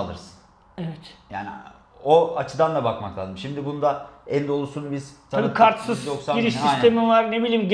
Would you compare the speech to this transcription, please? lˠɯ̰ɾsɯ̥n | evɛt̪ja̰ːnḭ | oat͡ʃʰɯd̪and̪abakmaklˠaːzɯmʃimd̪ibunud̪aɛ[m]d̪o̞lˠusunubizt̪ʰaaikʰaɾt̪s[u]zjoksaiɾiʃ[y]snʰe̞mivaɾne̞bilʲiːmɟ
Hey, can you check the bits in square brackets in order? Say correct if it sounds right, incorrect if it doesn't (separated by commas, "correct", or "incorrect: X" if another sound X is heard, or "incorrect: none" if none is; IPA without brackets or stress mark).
incorrect: n, incorrect: ɯ, incorrect: i